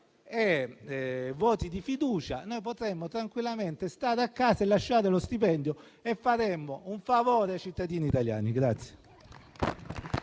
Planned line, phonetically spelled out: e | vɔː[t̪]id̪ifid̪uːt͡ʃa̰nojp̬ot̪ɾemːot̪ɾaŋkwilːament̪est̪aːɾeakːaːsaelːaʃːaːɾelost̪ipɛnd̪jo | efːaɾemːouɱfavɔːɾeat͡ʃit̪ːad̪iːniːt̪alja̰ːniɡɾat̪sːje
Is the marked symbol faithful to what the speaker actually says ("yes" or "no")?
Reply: yes